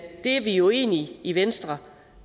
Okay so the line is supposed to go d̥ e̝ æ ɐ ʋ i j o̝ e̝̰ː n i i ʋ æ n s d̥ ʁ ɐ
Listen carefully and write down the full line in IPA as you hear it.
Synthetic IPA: d̥ e̝ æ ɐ ʋ i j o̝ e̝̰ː n i i ʋ e n s d̥ ʁ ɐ